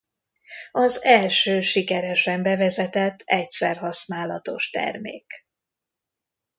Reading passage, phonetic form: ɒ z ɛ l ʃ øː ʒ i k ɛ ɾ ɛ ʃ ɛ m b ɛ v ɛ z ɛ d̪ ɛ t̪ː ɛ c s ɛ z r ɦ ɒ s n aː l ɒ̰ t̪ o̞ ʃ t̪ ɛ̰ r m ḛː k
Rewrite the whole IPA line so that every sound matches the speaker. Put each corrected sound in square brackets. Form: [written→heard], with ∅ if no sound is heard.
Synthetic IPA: ɒ z ɛ l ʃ øː [ʒ→ʃ] i k ɛ ɾ ɛ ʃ ɛ m b ɛ v ɛ z ɛ [d̪→t̪] ɛ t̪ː ɛ c s ɛ [z→∅] r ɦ ɒ s n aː l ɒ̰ t̪ o̞ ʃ t̪ ɛ̰ r m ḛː k